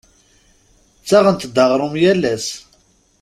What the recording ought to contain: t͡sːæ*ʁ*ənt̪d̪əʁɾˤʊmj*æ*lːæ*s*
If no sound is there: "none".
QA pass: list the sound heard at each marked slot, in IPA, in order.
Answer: ʁ, æ, s

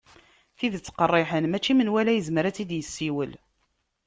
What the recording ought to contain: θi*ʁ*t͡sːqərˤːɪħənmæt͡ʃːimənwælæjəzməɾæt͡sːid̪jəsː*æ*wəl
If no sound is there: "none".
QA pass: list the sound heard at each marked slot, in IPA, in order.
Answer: ð, i

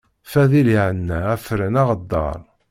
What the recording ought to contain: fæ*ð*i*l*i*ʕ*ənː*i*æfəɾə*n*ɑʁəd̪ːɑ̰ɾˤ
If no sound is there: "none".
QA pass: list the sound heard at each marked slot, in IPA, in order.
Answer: ð, l, ʕ, æ, n

